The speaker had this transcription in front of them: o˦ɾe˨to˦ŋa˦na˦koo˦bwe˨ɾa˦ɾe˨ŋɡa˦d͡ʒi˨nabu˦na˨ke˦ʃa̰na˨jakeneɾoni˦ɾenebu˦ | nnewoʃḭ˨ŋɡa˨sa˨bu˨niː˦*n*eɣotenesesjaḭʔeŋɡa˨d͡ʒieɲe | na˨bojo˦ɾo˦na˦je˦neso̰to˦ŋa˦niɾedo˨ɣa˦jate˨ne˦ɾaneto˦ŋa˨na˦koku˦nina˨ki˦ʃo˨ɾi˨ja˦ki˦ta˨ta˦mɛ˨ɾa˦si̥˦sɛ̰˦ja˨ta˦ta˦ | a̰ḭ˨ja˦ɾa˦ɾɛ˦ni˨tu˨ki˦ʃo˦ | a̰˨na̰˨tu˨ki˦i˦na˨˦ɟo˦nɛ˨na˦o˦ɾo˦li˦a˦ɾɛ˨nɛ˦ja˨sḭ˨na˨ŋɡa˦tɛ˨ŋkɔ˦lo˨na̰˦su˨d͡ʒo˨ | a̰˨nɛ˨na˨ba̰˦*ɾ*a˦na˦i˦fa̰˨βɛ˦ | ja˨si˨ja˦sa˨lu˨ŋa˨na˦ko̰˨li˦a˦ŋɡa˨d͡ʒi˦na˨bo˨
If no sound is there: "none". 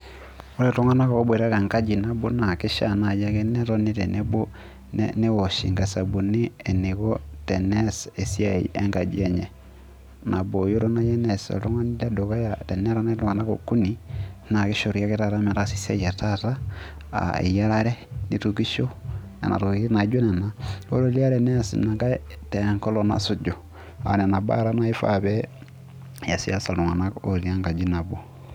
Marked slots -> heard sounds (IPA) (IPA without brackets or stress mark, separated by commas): n, ɾ